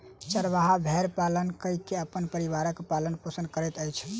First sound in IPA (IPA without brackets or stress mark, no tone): t͡ʃ